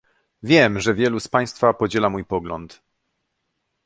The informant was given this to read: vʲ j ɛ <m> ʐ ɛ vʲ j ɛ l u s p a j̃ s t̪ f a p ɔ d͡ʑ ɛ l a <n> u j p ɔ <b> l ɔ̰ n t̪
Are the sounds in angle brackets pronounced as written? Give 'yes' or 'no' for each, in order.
yes, no, no

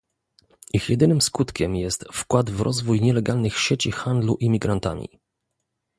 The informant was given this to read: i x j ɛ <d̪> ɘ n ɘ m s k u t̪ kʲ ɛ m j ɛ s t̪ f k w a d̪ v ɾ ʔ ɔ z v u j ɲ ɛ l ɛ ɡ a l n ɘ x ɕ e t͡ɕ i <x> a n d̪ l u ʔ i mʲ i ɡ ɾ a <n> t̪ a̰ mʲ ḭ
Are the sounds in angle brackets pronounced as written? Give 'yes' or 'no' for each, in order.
yes, yes, yes

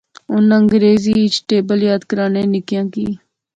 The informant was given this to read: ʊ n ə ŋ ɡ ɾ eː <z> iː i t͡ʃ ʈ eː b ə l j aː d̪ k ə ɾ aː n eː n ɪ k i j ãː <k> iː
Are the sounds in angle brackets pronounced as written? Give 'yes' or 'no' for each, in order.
yes, yes

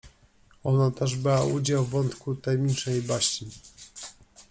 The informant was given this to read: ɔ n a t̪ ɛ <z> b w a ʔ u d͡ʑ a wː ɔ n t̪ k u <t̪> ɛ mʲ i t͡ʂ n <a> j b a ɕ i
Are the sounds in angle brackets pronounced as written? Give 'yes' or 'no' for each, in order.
no, yes, no

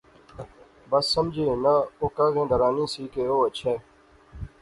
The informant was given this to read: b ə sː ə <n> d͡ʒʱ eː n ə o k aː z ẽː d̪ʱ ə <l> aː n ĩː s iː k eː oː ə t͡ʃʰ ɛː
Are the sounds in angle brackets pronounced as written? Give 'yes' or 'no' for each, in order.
no, no

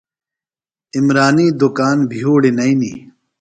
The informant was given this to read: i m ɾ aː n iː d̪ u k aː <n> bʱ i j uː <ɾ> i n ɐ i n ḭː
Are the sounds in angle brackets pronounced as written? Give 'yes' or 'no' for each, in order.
yes, no

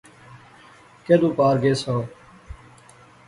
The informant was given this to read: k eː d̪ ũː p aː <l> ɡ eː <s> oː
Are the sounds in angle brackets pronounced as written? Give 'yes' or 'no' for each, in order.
no, yes

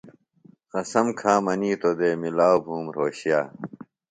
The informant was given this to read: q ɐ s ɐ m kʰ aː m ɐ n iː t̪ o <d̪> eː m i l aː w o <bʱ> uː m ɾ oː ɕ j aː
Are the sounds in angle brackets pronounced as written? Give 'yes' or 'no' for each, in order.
yes, yes

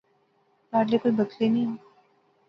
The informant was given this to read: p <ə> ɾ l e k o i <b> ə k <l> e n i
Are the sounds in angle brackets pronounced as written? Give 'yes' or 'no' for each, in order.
no, yes, yes

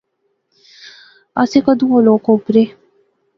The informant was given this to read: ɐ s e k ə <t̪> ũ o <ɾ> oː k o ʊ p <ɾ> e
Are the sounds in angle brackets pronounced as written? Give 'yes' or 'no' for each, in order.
no, no, yes

